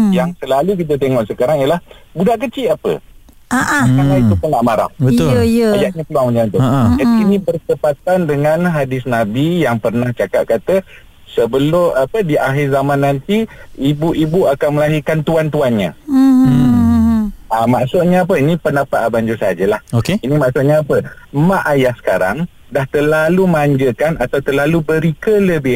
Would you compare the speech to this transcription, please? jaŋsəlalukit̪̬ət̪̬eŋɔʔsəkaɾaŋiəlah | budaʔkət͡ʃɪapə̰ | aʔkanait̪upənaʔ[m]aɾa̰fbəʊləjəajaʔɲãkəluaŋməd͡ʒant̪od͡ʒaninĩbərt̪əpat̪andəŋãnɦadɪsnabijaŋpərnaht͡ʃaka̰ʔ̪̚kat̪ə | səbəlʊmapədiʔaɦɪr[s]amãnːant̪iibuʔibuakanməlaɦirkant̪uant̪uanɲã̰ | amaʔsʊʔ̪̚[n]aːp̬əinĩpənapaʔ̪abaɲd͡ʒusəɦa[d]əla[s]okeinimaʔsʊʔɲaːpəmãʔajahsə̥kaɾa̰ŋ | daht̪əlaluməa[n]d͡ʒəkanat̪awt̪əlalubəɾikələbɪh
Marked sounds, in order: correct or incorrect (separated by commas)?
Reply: correct, incorrect, incorrect, incorrect, incorrect, incorrect